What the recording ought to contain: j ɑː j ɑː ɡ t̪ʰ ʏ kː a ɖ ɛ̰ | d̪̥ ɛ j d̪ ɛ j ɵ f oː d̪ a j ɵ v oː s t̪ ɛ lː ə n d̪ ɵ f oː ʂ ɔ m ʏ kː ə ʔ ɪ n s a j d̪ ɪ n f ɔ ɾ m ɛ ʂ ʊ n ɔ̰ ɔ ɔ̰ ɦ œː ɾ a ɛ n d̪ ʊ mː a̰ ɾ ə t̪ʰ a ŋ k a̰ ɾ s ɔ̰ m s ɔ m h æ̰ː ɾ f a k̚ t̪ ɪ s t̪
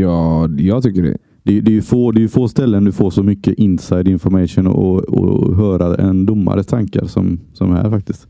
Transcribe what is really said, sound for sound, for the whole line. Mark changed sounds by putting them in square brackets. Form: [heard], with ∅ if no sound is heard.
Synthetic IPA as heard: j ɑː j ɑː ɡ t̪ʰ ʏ kː [ə] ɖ ɛ̰ | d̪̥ ɛ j d̪ ɛ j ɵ f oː d̪ [ɛ] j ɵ [f] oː s t̪ ɛ lː ə n d̪ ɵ f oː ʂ ɔ m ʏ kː ə ʔ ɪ n s a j d̪ ɪ n f ɔ ɾ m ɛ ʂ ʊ n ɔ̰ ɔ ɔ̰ ɦ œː ɾ a ɛ n d̪ ʊ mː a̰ ɾ ə t̪ʰ a ŋ k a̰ ɾ s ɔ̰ m s ɔ m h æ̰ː ɾ f a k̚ t̪ ɪ s t̪